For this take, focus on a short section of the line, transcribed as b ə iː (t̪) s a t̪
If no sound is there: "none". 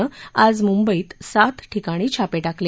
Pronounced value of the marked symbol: t̪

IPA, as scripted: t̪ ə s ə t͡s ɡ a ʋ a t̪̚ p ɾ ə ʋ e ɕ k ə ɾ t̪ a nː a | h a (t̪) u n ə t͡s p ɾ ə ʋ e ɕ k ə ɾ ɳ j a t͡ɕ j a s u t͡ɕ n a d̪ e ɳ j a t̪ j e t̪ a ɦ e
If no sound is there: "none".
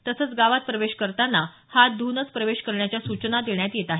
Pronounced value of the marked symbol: d̪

